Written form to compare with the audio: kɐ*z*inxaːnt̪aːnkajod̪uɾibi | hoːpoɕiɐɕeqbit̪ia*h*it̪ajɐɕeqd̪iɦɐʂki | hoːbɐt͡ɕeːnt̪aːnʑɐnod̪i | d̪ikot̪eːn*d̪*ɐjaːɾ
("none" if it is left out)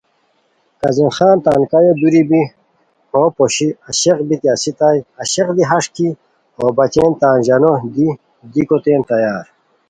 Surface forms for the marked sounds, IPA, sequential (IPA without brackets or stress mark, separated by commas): z, s, t̪